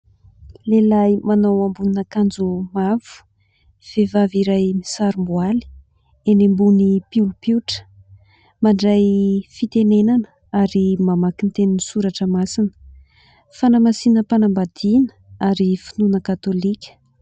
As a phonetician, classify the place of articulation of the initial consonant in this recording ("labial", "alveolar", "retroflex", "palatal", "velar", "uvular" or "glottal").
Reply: alveolar